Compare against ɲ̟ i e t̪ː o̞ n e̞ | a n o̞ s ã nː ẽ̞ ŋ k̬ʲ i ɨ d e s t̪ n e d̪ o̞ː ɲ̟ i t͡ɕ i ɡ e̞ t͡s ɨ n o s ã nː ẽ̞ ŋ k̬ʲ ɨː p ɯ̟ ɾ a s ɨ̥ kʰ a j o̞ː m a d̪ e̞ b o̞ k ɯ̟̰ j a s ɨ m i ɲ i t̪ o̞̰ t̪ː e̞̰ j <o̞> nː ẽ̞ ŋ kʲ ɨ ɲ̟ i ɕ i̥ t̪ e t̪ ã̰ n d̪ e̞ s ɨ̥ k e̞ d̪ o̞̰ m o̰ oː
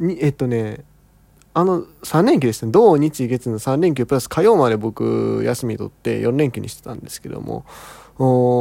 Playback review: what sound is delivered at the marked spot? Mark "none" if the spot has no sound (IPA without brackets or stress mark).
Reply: õ̞